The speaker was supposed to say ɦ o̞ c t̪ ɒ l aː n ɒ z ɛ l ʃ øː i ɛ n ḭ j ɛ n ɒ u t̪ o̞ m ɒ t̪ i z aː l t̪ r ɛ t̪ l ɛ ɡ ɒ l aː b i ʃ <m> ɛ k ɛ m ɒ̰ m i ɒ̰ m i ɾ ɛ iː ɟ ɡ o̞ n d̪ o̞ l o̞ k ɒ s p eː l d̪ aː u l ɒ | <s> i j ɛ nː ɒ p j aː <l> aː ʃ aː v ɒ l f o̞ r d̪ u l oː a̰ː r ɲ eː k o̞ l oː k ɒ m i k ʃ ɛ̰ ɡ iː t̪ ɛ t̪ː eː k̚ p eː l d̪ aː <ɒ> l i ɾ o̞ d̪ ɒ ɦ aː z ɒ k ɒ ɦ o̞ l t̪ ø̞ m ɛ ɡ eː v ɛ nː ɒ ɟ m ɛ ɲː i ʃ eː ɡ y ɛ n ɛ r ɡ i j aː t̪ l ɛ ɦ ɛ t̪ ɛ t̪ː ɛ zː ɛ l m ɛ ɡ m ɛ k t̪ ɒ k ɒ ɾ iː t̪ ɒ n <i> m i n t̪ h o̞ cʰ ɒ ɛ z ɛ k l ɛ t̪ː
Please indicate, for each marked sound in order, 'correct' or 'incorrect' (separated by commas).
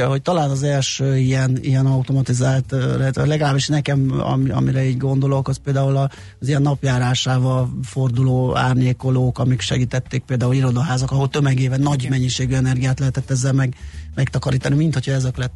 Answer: incorrect, incorrect, incorrect, incorrect, correct